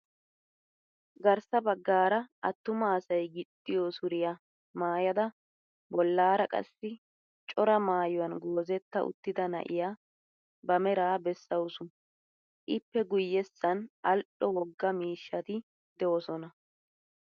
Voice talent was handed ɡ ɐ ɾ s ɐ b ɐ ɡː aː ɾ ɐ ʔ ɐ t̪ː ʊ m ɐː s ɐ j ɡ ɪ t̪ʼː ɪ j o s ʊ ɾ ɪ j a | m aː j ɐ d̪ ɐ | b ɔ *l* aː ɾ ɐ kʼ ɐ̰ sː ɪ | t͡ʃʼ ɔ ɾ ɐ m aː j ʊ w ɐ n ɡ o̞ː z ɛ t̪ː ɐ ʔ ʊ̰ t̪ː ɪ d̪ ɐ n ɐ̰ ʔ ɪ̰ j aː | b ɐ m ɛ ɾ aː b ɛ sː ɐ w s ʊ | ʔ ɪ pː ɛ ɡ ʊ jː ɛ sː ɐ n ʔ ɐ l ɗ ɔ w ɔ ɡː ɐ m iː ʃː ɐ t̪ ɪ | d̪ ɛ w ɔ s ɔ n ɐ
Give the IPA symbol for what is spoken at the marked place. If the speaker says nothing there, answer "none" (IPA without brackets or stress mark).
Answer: lː